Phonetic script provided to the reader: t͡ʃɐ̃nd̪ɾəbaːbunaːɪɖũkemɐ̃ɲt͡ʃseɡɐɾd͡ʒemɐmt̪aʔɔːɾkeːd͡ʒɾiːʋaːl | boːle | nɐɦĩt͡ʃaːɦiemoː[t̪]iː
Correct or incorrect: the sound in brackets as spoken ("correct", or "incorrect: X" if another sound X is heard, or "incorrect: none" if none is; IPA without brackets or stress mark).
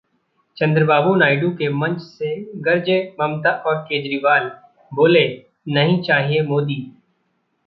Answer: incorrect: d̪